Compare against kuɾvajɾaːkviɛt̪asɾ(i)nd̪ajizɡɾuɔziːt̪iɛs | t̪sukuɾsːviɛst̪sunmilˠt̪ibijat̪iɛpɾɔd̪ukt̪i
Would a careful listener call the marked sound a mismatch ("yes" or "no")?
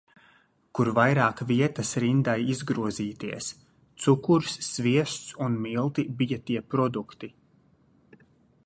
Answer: no